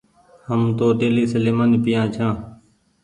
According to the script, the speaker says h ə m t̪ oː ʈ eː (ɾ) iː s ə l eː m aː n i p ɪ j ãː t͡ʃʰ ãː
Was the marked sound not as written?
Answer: yes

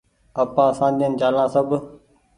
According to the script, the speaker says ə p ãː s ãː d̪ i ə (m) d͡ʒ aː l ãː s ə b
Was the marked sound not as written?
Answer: yes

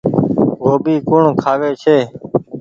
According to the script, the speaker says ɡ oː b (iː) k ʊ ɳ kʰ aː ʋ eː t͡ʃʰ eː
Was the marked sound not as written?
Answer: no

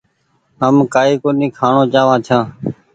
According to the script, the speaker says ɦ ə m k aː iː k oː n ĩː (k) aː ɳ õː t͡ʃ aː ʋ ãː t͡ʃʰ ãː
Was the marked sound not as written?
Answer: yes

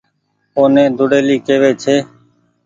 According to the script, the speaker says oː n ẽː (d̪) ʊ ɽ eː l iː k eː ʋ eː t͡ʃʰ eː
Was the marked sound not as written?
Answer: no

